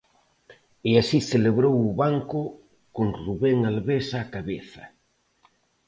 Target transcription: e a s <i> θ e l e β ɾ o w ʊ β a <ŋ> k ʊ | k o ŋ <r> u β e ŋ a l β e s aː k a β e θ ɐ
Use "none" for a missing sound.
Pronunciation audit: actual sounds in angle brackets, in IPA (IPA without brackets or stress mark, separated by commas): i, ŋ, r